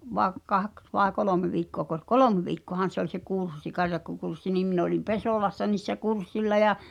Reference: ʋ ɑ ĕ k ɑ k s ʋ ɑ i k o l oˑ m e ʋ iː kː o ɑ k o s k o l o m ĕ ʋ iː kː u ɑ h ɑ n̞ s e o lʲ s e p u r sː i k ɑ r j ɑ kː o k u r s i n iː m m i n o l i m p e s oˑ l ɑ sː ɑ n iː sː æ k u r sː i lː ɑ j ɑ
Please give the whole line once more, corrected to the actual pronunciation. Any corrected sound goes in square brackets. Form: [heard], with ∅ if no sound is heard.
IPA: ʋ ɑ ĕ k ɑ k s ʋ ɑ [e] k o l oˑ m e ʋ iː kː o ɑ k o s k o l o m ĕ ʋ iː kː [o] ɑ h ɑ n̞ s e o lʲ s e [k] u r sː i k ɑ r j ɑ kː o k u r [sː] i n iː m m i n o l i m p e s oˑ l ɑ sː ɑ n iː sː æ k u r sː i lː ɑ j ɑ